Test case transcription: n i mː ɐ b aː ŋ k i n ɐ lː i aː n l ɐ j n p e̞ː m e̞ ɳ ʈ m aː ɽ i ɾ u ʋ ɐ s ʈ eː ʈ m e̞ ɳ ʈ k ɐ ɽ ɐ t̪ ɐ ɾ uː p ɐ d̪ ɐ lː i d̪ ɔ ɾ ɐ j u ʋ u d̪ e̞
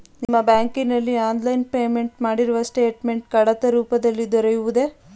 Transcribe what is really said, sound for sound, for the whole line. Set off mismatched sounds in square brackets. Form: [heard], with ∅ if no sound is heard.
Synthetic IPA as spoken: n i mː ɐ b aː ŋ k i n ɐ lː i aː n l ɐ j n p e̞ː m e̞ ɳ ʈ m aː ɽ i ɾ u ʋ ɐ s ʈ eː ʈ m e̞ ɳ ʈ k ɐ ɽ ɐ t̪ ɐ ɾ uː p ɐ d̪ ɐ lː i d̪ ɔ ɾ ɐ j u ʋ u d̪ e̞